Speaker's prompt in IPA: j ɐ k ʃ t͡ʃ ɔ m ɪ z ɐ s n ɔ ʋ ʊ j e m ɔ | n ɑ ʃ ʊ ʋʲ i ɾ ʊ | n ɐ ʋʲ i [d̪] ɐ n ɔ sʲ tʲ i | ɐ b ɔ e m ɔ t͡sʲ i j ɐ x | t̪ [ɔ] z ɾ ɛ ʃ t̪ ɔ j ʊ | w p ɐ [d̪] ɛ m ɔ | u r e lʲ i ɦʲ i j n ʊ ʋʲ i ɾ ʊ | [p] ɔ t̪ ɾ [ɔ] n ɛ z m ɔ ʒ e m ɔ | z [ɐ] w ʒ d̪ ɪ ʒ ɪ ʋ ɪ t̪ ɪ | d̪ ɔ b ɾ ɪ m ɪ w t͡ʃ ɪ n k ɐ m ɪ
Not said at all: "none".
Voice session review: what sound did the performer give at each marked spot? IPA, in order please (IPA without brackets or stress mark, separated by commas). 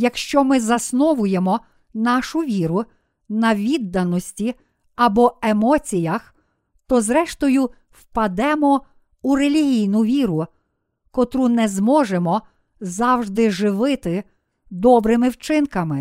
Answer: d̪ː, ɔ, d̪, k, u, ɑ